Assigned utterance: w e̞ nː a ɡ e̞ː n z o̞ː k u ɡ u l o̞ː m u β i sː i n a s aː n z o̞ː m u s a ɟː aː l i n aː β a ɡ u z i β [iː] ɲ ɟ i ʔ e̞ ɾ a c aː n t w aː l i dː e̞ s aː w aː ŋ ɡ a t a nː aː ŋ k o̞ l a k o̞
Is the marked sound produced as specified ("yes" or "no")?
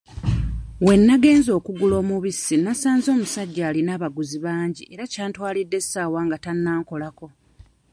no